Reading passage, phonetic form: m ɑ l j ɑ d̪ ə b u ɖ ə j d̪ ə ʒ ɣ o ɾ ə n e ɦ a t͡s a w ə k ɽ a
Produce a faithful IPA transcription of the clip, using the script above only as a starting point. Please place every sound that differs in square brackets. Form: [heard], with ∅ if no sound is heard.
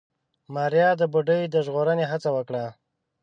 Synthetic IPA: m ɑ [ɾ] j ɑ d̪ ə b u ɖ ə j d̪ ə ʒ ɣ o ɾ ə n e ɦ a t͡s a w ə k ɽ a